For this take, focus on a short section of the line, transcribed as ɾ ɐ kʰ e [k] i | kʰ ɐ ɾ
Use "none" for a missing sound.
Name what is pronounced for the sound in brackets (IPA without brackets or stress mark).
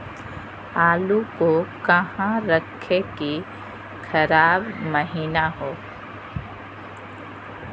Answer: k